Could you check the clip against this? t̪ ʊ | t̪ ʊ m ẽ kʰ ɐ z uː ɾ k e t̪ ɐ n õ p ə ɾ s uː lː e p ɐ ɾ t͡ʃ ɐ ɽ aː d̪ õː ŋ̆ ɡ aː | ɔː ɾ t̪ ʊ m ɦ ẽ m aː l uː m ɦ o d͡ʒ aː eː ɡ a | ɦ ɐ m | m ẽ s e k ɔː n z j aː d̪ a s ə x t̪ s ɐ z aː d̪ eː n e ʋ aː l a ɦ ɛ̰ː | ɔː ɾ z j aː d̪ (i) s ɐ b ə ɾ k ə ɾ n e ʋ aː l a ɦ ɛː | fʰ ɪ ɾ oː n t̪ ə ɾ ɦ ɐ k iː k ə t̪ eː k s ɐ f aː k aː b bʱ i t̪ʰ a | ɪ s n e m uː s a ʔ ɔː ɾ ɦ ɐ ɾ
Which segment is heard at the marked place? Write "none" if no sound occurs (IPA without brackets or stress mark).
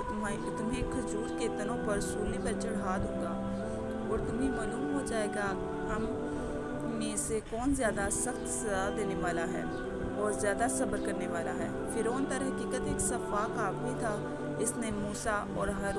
a